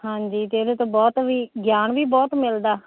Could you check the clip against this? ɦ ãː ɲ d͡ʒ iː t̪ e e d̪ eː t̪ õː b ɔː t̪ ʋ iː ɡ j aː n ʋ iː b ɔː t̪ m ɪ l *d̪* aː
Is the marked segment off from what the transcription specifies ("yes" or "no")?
no